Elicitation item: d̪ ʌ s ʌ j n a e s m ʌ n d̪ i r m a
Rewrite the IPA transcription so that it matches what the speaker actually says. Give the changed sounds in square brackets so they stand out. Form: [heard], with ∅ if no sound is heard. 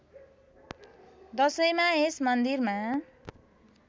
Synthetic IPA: d̪ ʌ s ʌ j [m] a e s m ʌ n d̪ i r m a